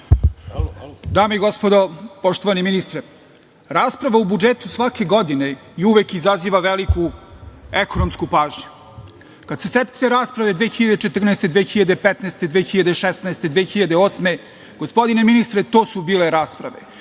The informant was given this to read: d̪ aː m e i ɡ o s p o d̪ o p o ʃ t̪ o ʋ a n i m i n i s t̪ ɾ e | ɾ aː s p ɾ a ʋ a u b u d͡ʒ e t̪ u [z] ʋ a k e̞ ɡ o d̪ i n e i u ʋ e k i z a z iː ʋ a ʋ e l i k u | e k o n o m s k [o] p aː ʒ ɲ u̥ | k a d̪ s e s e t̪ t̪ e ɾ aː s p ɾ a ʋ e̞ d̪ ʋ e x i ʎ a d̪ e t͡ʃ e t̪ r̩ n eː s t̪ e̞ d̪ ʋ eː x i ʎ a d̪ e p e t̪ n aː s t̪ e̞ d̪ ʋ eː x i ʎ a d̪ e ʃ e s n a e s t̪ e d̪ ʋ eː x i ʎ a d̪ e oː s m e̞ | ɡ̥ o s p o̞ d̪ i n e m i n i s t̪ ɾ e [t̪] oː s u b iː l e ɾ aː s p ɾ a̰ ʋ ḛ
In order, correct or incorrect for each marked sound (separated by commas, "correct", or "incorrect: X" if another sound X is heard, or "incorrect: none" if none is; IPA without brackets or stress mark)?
incorrect: s, incorrect: u, correct